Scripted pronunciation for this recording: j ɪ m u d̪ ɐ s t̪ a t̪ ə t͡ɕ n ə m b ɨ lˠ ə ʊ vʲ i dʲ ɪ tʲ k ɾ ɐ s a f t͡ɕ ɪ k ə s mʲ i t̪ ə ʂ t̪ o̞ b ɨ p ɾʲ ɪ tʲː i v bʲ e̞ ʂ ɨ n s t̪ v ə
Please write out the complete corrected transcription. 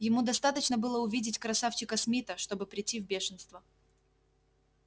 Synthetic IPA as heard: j ɪ m u d̪ ɐ s t̪ a t̪ ə t͡ɕ n ə b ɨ lˠ ə ʊ vʲ i dʲ ɪ tʲ k ɾ ɐ s a f t͡ɕ ɪ k ə s mʲ i t̪ ə ʂ t̪ o̞ b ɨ p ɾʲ ɪ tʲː i v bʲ e̞ ʂ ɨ n s t̪ v ə